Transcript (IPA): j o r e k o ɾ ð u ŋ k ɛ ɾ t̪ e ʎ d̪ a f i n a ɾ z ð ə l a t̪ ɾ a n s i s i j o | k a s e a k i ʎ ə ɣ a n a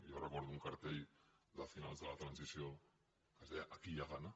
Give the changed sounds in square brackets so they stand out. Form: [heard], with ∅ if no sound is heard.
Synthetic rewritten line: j o r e k o ɾ ð u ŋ k [a] ɾ t̪ e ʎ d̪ a f i n a [l] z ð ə l a t̪ ɾ a n s i s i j o | k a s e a k i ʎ [a] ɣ a n a